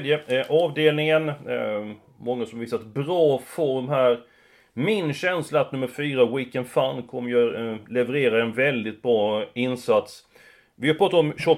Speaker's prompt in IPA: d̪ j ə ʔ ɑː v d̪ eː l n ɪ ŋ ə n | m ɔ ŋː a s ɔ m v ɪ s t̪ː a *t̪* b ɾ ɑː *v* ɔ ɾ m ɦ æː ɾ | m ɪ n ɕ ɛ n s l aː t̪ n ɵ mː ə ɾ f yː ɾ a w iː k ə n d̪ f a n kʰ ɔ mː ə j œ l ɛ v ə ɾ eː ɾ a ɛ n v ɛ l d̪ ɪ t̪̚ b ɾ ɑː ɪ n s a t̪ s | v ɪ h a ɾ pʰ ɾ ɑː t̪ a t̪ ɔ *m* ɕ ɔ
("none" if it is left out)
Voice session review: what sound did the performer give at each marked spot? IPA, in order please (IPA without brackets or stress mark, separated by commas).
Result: t̪, f, m